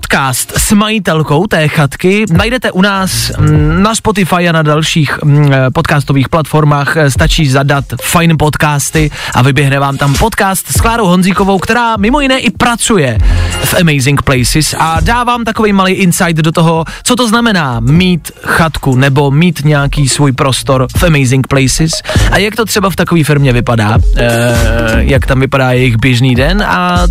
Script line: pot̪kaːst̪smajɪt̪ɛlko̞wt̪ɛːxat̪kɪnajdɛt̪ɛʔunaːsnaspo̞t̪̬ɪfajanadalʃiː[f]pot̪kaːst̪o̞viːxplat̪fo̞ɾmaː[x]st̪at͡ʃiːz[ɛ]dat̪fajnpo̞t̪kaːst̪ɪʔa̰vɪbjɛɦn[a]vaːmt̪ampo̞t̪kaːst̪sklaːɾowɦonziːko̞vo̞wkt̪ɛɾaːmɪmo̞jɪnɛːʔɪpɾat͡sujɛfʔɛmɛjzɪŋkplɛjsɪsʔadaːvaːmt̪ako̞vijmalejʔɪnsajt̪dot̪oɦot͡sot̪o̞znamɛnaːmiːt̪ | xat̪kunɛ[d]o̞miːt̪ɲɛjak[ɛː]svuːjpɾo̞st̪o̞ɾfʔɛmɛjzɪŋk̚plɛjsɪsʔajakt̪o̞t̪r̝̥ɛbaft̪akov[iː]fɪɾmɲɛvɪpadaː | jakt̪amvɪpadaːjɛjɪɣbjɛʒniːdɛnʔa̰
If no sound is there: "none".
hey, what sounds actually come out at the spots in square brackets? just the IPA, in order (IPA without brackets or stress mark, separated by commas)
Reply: x, x, a, ɛ, b, iː, iː